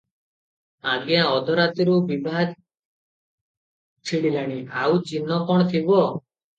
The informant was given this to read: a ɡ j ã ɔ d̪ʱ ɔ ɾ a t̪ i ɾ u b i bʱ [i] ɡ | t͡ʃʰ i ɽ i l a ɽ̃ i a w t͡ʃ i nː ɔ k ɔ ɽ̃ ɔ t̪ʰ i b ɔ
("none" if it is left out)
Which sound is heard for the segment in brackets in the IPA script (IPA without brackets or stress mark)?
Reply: a